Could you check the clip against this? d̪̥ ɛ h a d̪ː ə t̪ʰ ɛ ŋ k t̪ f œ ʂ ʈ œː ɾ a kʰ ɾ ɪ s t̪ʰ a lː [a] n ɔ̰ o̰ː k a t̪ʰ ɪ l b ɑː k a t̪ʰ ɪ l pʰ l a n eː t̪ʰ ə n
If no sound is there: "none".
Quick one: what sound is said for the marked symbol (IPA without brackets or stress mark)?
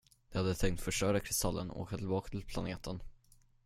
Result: ə